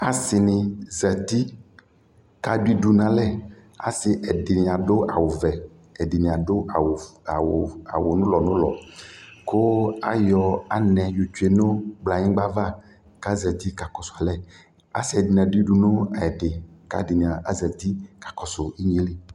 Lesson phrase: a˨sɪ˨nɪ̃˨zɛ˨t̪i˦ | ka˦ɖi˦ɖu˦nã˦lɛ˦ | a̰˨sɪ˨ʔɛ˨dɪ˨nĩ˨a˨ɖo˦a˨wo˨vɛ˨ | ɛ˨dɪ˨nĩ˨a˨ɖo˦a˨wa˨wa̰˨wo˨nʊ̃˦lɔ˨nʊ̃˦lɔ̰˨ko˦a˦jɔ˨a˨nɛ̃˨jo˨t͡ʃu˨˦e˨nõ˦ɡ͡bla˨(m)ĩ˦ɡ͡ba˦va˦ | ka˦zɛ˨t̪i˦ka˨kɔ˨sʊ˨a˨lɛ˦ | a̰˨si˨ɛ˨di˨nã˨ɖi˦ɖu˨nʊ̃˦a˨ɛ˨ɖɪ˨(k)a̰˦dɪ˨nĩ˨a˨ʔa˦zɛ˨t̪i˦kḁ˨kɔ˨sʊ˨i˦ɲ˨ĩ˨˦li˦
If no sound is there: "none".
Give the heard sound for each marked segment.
ɲ, k

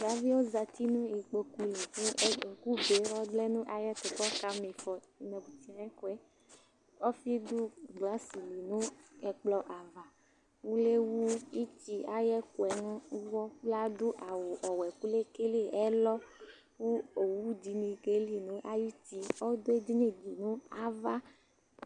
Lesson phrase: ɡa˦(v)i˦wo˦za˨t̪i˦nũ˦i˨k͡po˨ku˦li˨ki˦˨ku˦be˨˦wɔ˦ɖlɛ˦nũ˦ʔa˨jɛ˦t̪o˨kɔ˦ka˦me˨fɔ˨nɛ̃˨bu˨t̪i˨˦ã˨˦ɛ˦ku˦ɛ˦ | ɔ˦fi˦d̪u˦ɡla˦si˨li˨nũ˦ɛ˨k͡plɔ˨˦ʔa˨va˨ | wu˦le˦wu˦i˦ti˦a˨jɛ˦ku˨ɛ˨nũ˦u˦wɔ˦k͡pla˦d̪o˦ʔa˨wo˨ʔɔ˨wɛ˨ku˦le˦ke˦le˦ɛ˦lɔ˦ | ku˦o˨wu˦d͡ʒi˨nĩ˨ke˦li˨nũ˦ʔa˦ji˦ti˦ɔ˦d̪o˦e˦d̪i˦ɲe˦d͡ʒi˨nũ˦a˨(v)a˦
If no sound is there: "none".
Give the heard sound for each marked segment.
v, v

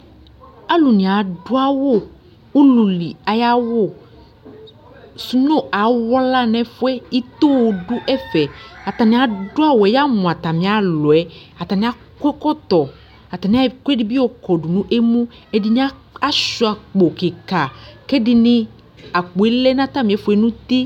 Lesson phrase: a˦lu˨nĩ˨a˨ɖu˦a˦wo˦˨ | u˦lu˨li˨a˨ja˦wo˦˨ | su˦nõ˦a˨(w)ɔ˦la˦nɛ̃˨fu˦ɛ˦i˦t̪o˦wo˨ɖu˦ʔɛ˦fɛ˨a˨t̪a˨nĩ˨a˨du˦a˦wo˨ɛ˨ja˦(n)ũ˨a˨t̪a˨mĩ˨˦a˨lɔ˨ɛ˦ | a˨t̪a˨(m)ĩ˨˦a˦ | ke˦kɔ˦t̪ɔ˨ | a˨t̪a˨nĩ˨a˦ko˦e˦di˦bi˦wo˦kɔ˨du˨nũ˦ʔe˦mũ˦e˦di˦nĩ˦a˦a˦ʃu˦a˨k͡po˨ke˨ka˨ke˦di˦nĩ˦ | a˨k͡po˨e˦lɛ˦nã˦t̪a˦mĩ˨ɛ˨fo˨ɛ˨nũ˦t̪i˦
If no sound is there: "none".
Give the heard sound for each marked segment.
w, m, n

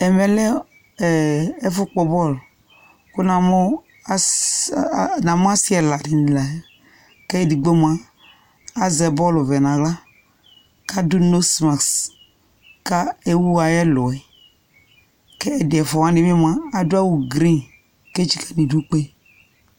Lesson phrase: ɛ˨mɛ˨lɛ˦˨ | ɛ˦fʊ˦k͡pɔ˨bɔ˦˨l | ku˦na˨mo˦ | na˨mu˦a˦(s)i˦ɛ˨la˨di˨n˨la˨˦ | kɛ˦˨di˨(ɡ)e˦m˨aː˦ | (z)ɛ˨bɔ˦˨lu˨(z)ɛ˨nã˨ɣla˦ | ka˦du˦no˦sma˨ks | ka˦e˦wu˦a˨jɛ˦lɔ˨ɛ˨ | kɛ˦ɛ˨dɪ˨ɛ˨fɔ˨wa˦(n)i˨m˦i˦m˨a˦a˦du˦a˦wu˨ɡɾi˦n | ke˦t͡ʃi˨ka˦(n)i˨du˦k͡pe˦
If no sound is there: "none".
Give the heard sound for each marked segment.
s, ɡ͡b, z, v, n, n

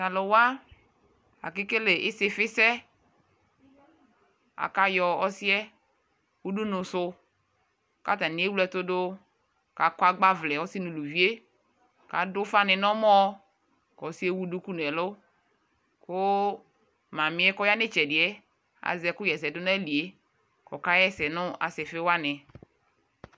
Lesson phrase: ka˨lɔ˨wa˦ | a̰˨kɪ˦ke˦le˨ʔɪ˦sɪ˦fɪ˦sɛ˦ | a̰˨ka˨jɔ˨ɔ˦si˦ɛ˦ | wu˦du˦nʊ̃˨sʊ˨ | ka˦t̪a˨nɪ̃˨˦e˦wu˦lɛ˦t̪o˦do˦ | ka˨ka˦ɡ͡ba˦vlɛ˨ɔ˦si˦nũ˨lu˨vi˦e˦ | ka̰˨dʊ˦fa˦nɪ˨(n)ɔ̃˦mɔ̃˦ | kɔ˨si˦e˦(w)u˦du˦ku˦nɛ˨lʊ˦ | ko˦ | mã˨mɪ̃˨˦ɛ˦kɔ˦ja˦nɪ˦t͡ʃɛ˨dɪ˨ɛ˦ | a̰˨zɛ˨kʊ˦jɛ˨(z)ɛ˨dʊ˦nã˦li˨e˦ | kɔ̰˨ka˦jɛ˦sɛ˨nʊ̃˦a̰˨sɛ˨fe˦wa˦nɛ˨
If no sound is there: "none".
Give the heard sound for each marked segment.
n, w, s

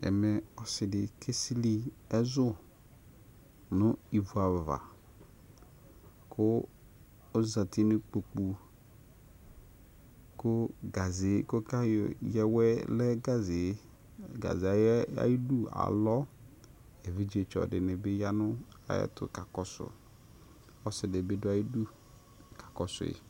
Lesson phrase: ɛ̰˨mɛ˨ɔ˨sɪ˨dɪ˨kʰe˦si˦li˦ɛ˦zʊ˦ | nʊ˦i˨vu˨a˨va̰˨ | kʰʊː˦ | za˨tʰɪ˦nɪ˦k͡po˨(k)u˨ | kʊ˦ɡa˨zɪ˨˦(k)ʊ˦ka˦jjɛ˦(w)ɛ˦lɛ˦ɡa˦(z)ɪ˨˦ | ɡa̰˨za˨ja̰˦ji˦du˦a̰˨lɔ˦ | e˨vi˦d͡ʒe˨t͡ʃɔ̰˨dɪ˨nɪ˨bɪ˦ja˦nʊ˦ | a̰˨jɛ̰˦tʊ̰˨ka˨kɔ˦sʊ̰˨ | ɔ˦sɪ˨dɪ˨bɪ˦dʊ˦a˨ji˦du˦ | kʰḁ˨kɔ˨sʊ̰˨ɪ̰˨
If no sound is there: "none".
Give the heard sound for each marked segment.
k͡p, k, w, z

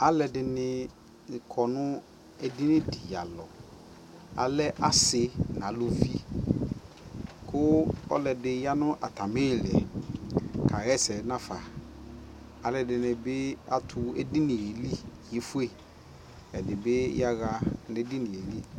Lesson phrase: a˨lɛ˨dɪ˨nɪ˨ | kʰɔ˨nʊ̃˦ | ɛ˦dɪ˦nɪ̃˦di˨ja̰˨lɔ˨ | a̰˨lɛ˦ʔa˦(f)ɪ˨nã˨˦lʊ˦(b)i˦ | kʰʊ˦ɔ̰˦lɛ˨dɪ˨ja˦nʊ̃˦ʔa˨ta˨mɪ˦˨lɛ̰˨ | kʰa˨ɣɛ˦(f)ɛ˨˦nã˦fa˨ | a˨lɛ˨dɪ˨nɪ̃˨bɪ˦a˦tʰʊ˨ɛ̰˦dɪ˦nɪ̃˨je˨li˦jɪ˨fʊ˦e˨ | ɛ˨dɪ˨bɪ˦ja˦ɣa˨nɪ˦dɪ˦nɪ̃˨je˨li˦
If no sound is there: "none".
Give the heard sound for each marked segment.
s, v, s

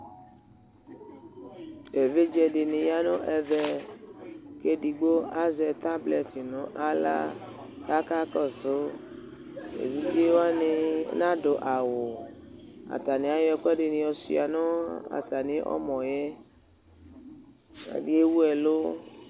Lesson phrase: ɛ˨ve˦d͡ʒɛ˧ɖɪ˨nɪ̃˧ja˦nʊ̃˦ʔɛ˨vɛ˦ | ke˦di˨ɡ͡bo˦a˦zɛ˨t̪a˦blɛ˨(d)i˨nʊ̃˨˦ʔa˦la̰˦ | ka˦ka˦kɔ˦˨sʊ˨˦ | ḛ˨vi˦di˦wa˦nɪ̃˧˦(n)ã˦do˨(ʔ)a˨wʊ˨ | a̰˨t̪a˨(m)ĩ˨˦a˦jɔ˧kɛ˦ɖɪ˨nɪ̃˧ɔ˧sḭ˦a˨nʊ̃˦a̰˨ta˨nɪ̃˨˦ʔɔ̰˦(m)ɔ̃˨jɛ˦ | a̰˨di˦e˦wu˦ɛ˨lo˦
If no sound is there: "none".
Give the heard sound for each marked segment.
t, n, ʔ, n, m

